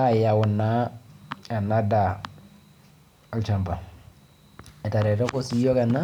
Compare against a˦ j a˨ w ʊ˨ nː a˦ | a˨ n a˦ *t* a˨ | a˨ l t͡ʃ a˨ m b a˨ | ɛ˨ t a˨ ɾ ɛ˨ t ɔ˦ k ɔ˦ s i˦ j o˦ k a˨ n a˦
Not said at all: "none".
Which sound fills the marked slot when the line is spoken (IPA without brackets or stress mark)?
d